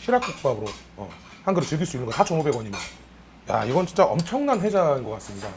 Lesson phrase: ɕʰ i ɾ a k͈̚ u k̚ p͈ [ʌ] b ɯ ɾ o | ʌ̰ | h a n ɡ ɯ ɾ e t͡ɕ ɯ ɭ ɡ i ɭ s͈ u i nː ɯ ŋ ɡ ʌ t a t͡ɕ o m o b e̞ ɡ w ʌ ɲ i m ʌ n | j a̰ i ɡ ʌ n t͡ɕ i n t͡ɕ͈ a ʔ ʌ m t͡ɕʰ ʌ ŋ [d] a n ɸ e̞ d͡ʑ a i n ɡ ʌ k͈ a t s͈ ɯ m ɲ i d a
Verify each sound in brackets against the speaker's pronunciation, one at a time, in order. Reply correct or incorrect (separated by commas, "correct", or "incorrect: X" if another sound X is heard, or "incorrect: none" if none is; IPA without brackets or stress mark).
incorrect: a, incorrect: n